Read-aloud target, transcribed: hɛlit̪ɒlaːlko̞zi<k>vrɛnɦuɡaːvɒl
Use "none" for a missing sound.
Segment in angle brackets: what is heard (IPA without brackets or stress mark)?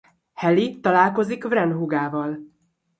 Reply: k